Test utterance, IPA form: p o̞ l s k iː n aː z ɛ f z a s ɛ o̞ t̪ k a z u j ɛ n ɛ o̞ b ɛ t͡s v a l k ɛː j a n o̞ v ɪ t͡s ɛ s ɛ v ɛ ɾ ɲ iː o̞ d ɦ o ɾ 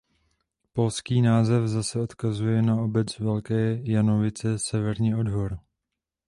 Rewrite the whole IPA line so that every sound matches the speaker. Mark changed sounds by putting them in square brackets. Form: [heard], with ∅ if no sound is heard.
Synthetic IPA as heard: p o̞ l s k iː n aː z ɛ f z a s ɛ o̞ t̪ k a z u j ɛ n [a] o̞ b ɛ t͡s v [ɛ] l k ɛː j a n o̞ v ɪ t͡s ɛ s ɛ v ɛ ɾ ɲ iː o̞ d ɦ o ɾ

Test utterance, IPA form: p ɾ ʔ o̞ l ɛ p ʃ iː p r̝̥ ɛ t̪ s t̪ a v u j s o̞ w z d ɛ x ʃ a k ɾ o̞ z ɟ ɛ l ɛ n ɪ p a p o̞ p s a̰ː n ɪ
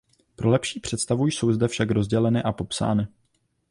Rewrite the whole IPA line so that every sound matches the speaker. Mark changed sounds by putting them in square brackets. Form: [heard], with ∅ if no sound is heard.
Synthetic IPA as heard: p ɾ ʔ o̞ l ɛ p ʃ iː p r̝̥ ɛ t̪ s t̪ a v u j s o̞ w z d ɛ [f] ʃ a k ɾ o̞ z ɟ ɛ l ɛ n ɪ [ʔ] a p o̞ p s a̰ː n ɪ

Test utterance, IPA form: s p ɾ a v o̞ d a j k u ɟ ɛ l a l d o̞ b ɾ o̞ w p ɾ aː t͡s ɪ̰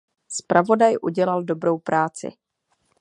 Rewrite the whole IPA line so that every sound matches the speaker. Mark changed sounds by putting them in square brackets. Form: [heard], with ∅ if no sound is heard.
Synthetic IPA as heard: s p ɾ a v o̞ d a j [ʔ] u ɟ ɛ l a l d o̞ b ɾ o̞ w p ɾ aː t͡s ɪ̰

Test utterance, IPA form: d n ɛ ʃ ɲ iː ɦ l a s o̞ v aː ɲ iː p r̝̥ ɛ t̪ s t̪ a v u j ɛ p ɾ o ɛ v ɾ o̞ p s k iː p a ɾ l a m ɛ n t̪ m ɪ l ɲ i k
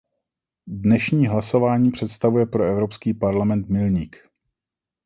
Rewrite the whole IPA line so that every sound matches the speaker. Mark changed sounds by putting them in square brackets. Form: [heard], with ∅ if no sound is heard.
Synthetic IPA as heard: d n ɛ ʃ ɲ iː ɦ l a s o̞ v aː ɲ iː p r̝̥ ɛ t̪ s t̪ a v u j ɛ p ɾ o ɛ v ɾ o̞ p s k iː p a ɾ l a m ɛ n t̪ m ɪ l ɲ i k

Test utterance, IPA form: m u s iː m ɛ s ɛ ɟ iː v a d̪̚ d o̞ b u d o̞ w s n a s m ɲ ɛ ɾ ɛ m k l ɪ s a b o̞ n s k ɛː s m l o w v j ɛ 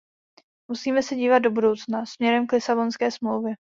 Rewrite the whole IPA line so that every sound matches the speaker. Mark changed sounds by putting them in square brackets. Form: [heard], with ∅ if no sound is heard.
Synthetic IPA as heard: m u s iː m ɛ s ɛ ɟ iː v a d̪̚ d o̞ b u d o̞ w [t͡s] n a s m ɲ ɛ ɾ ɛ m k l ɪ s a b o̞ n s k ɛː s m l o w v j ɛ

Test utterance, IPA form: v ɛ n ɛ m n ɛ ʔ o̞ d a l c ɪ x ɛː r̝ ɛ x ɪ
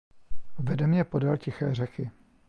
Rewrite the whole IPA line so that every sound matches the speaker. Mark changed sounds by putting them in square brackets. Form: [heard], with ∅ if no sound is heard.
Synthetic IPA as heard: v ɛ [d] ɛ m [ɲ] ɛ [p] o̞ d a l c ɪ x ɛː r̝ ɛ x ɪ

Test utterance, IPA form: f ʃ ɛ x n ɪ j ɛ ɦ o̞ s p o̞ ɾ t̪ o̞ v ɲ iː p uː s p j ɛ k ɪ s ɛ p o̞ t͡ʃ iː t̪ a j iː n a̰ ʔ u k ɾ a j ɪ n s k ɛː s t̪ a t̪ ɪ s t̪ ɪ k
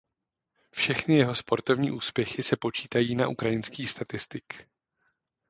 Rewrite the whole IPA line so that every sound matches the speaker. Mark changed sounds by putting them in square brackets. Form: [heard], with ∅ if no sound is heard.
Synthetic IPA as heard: f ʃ ɛ x n ɪ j ɛ ɦ o̞ s p o̞ ɾ t̪ o̞ v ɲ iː [ʔ] uː s p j ɛ [x] ɪ s ɛ p o̞ t͡ʃ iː t̪ a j iː n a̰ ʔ u k ɾ a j ɪ n s k [iː] s t̪ a t̪ ɪ s t̪ ɪ k

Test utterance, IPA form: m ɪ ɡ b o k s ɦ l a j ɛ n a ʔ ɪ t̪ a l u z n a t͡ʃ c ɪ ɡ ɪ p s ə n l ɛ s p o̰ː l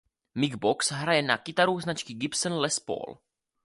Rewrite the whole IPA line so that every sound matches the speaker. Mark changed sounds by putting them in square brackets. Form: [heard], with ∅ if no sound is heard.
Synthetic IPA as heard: m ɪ ɡ b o k s ɦ [ɾ] a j ɛ n a [k] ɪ t̪ a [ɾ] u z n a t͡ʃ [k] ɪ ɡ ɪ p s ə n l ɛ s p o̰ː l

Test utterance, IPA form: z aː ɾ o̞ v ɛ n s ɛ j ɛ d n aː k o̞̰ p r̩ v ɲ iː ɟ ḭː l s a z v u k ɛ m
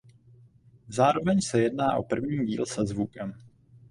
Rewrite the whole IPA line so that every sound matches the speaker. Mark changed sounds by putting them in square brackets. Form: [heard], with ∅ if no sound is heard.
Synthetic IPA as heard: z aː ɾ o̞ v ɛ [ɲ] s ɛ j ɛ d n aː [ʔ] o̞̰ p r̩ v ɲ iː ɟ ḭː l s [ɛ] z v u k ɛ m

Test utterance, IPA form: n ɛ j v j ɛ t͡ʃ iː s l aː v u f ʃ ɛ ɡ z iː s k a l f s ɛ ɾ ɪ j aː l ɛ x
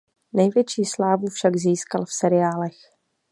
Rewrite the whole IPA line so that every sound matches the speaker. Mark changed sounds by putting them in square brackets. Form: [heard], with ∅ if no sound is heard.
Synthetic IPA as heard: n ɛ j v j ɛ t͡ʃ iː s l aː v u f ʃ [a] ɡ z iː s k a l f s ɛ ɾ ɪ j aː l ɛ x

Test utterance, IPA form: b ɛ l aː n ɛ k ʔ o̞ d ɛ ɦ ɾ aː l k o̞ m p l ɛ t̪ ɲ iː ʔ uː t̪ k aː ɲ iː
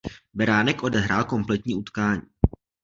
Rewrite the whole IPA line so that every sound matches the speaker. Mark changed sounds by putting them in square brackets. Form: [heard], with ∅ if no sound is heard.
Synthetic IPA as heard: b ɛ [ɾ] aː n ɛ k ʔ o̞ d ɛ ɦ ɾ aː l k o̞ m p l ɛ t̪ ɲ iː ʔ [u] t̪ k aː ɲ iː

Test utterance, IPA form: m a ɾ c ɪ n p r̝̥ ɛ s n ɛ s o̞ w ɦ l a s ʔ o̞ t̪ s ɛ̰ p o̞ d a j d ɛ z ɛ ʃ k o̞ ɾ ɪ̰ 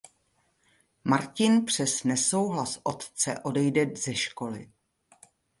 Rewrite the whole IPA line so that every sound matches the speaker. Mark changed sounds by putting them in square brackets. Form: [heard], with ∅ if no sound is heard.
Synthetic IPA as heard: m a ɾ c ɪ n p r̝̥ ɛ s n ɛ s o̞ w ɦ l a s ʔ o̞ t̪ [t͡s] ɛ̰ [ʔ] o̞ d [ɛ] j d ɛ z ɛ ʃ k o̞ [l] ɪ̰

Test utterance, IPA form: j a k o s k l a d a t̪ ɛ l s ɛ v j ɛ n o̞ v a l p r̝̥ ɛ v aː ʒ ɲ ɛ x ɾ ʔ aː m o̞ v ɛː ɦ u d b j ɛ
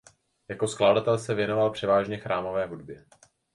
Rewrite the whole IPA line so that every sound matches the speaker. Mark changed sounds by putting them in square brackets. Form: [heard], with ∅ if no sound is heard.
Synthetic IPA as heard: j a k o s k l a d a t̪ ɛ l s ɛ v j ɛ n o̞ v a l p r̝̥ ɛ v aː ʒ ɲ ɛ x ɾ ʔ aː m o̞ v ɛː ɦ u d b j ɛ

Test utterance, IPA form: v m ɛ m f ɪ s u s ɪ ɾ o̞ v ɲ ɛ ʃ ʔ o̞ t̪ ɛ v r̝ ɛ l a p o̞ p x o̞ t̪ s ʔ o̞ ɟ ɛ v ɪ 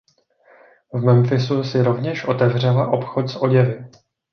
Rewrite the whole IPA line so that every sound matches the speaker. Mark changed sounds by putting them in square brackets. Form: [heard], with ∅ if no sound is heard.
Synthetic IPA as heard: v m ɛ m f ɪ s u s ɪ ɾ o̞ v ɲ ɛ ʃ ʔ o̞ t̪ ɛ v r̝ ɛ l a [ʔ] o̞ p x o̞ t̪ s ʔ o̞ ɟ ɛ v ɪ

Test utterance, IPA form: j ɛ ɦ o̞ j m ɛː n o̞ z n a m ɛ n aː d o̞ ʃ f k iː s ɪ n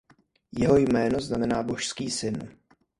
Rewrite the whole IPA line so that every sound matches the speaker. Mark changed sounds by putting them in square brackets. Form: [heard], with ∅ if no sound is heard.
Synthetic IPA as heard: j ɛ ɦ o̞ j m ɛː n o̞ z n a m ɛ n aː [b] o̞ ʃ [s] k iː s ɪ n

